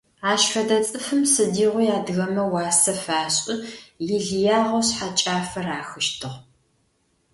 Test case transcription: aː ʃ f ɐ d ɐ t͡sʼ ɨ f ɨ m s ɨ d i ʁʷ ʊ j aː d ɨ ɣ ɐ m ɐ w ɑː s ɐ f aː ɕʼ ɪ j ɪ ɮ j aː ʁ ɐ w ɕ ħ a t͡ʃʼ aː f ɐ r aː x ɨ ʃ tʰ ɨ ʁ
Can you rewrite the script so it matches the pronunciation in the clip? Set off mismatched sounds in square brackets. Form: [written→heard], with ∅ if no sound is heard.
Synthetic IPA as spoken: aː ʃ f ɐ d ɐ t͡sʼ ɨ f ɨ m s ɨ d [i→iː] ʁʷ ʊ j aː d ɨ ɣ ɐ m ɐ w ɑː s ɐ f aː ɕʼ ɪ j ɪ ɮ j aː ʁ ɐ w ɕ ħ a t͡ʃʼ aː f ɐ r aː x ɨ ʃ tʰ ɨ ʁ